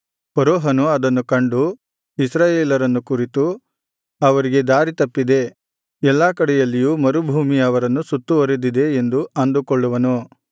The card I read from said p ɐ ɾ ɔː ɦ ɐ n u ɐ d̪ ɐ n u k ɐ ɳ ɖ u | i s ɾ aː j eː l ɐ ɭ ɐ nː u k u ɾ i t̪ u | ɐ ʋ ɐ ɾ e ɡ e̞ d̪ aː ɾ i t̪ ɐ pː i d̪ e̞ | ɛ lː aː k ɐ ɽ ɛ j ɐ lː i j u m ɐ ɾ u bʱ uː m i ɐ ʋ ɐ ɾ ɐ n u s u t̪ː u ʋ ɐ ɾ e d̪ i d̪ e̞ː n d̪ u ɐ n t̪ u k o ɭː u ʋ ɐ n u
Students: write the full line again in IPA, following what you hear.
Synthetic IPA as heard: p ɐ ɾ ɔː ɦ ɐ n u ɐ d̪ ɐ nː u k ɐ ɳ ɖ u | i s ɾ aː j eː l ɐ ɾ ɐ nː u k u ɾ i t̪ u | ɐ ʋ ɐ ɾ i ɡ e̞ d̪ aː ɾ i t̪ ɐ pː i d̪ e̞ | ɛ lː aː k ɐ ɽ ɛ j ɐ lː i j u m ɐ ɾ u bʱ uː m i ɐ ʋ ɐ ɾ ɐ nː u s u t̪ː u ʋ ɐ ɾ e d̪ i d̪ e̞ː n d̪ u ɐ n d̪ u k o ɭː u ʋ ɐ n u

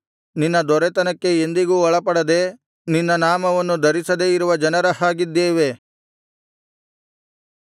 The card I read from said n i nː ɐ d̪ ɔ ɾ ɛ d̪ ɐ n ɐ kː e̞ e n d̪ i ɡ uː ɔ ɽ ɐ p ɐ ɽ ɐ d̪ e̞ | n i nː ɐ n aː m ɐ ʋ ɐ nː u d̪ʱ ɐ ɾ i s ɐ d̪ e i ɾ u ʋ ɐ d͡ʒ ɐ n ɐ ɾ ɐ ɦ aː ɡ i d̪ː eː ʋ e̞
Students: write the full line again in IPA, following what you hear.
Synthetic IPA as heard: n i nː ɐ d̪ ɔ ɾ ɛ t̪ ɐ n ɐ kː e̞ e n d̪ i ɡ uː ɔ ɭ ɐ p ɐ ɽ ɐ d̪ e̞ | n i nː ɐ n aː m ɐ ʋ ɐ nː u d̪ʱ ɐ ɾ i s ɐ d̪ e i ɾ u ʋ ɐ d͡ʒ ɐ n ɐ ɾ ɐ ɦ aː ɡ i d̪ː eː ʋ e̞

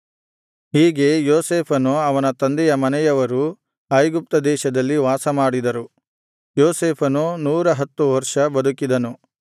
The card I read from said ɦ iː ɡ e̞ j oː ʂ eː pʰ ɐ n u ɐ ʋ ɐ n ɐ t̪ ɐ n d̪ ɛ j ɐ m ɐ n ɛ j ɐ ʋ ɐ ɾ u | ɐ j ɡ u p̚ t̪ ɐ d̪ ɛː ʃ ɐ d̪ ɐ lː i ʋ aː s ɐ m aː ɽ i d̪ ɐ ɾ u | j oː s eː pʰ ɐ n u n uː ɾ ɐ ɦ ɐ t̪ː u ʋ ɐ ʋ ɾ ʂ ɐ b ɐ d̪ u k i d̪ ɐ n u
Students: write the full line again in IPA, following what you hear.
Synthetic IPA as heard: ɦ iː ɡ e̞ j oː s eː pʰ ɐ n u ɐ ʋ ɐ n ɐ t̪ ɐ n d̪ ɛ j ɐ m ɐ n ɛ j ɐ ʋ ɐ ɾ u | ɐ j ɡ u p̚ t̪ ɐ d̪ ɛː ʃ ɐ d̪ ɐ lː i ʋ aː s ɐ m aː ɽ i d̪ ɐ ɾ u | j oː s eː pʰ ɐ n u n uː ɾ ɐ ɦ ɐ t̪ː u ʋ ɐ ɾ ʂ ɐ b ɐ d̪ u k i d̪ ɐ n u

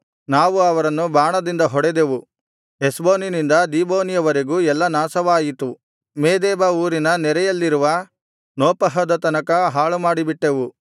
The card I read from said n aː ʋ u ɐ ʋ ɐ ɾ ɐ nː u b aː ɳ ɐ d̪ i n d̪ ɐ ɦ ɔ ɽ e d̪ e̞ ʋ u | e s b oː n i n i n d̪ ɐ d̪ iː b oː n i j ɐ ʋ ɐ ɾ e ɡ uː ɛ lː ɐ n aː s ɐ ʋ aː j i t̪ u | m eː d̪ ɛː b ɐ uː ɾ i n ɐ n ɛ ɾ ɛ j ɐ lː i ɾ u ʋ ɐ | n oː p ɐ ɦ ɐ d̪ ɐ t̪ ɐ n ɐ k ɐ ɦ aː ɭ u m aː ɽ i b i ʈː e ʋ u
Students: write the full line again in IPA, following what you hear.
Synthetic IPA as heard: n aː ʋ u ɐ ʋ ɐ ɾ ɐ nː u b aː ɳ ɐ d̪ i n d̪ ɐ ɦ ɔ ɽ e d̪ e̞ ʋ u | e s b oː n i n i n d̪ ɐ d̪ iː b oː n i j ɐ ʋ ɐ ɾ e ɡ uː ɛ lː ɐ n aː s ɐ ʋ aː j i t̪ u | m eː d̪ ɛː b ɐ uː ɾ i n ɐ n ɛ ɾ ɛ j ɐ lː i ɾ u ʋ ɐ | n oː p ɐ ɦ ɐ d̪ ɐ t̪ ɐ n ɐ k ɐ ɦ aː ɭ u m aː ɽ i b i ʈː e ʋ u

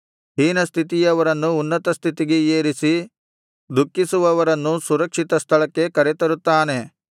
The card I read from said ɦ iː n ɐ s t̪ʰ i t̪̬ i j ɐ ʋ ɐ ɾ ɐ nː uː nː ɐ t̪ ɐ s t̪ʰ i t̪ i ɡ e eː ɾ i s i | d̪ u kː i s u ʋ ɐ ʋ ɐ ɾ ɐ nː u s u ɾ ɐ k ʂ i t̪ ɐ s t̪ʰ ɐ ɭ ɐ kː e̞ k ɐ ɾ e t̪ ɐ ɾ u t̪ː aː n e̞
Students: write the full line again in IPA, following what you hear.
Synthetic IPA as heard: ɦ iː n ɐ s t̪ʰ i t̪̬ i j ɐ ʋ ɐ ɾ ɐ nː uː nː ɐ t̪ ɐ s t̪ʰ i t̪ i ɡ e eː ɾ i s i | d̪ u kː i s u ʋ ɐ ʋ ɐ ɾ ɐ nː u s u ɾ ɐ k ʂ i t̪ ɐ s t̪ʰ ɐ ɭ ɐ kː e̞ k ɐ ɾ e t̪ ɐ ɾ u t̪ː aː n e̞

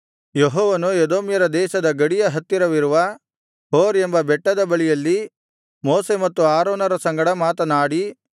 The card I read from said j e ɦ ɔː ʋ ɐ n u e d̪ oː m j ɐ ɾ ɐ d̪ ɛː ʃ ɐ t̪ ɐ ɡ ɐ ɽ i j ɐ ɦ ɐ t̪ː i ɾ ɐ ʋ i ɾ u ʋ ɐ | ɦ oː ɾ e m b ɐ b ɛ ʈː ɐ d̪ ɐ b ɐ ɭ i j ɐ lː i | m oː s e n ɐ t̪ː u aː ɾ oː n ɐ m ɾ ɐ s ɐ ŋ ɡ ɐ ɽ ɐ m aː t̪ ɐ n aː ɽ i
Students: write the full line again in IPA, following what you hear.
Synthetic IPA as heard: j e ɦ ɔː ʋ ɐ n u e d̪ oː m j ɐ ɾ ɐ d̪ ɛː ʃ ɐ d̪ ɐ ɡ ɐ ɽ i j ɐ ɦ ɐ t̪ː i ɾ ɐ ʋ i ɾ u ʋ ɐ | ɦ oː ɾ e m b ɐ b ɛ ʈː ɐ d̪ ɐ b ɐ ɭ i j ɐ lː i | m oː s e m ɐ t̪ː u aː ɾ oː n ɐ ɾ ɐ s ɐ ŋ ɡ ɐ ɽ ɐ m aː t̪ ɐ n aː ɽ i

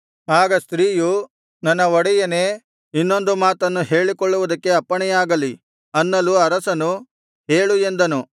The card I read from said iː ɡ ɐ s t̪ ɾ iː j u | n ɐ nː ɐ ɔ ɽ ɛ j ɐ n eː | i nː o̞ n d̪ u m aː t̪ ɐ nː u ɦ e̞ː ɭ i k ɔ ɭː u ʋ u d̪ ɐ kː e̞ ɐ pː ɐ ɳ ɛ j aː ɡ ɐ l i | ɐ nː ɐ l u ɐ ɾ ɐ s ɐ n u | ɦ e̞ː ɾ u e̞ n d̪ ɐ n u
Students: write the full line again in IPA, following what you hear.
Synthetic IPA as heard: aː ɡ ɐ s t̪ ɾ iː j u | n ɐ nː ɐ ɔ ɽ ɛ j ɐ n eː | i nː o̞ n d̪ u m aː t̪ ɐ nː u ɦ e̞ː ɭ i k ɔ ɭː u ʋ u d̪ ɐ kː e̞ ɐ pː ɐ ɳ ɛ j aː ɡ ɐ l i | ɐ nː ɐ l u ɐ ɾ ɐ s ɐ n u | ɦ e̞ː ɭ u e̞ n d̪ ɐ n u

